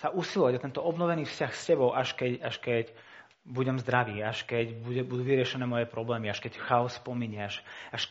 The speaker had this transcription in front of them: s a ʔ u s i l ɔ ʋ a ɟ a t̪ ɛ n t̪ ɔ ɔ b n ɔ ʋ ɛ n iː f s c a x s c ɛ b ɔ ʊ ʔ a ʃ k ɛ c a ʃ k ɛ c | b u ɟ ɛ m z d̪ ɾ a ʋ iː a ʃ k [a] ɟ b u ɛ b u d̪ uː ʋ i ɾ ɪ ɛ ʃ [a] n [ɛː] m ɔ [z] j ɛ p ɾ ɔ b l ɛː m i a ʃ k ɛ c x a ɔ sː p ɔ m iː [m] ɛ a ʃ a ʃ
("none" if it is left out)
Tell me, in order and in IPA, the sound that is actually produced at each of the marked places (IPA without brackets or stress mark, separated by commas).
ɛ, ɛ, ɛː, none, ɲ